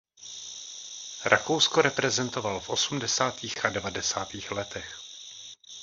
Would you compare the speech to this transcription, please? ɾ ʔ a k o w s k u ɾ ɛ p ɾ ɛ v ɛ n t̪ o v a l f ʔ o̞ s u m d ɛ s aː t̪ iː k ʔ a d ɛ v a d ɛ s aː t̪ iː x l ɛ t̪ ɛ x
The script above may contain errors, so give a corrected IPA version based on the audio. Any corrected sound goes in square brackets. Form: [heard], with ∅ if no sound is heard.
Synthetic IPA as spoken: ɾ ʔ a k o w s k [o] ɾ ɛ p ɾ ɛ [z] ɛ n t̪ o v a l f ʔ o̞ s u m d ɛ s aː t̪ iː [x] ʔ a d ɛ v a d ɛ s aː t̪ iː x l ɛ t̪ ɛ x